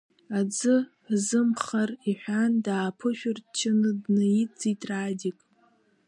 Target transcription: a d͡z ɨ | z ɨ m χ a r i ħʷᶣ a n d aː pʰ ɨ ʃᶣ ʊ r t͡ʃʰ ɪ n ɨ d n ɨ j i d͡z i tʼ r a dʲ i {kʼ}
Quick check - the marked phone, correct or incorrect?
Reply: correct